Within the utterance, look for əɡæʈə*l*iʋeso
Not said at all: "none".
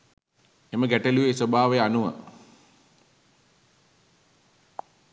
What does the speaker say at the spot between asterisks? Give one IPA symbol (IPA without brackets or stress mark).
l